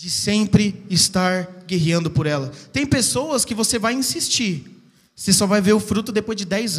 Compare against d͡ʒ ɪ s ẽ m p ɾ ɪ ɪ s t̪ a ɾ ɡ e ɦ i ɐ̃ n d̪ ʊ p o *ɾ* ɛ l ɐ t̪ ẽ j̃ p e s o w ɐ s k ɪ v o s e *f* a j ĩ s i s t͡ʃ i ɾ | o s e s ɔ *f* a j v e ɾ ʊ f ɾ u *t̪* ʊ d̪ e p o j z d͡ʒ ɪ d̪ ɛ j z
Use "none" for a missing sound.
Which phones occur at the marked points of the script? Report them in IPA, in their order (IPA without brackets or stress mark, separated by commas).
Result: ɾ, v, v, t̪